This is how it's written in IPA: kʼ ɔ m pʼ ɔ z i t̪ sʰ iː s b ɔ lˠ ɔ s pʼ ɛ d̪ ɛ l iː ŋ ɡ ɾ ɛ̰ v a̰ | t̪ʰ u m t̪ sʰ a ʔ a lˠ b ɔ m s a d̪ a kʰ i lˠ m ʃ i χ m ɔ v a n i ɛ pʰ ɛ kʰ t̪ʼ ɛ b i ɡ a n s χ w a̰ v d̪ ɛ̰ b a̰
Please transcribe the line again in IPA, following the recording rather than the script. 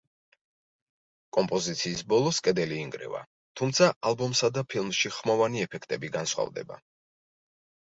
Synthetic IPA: kʼ ɔ m pʼ ɔ z i t̪ sʰ iː s b ɔ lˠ ɔ s kʼ ɛ d̪ ɛ l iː ŋ ɡ ɾ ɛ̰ v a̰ | t̪ʰ u m t̪ sʰ a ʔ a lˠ b ɔ m s a d̪ a pʰ i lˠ m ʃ i χ m ɔ v a n i ɛ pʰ ɛ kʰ t̪ʼ ɛ b i ɡ a n s χ w a̰ v d̪ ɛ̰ b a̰